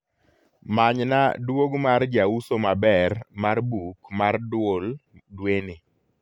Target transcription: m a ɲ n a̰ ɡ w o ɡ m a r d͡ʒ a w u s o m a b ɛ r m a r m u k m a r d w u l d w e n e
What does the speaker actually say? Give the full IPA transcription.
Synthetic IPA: m a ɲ n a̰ d w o ɡ m a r d͡ʒ a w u s o m a b ɛ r m a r b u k m a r d w o l d w e n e